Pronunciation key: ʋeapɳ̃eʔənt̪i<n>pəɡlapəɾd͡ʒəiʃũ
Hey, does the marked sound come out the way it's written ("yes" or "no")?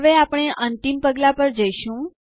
no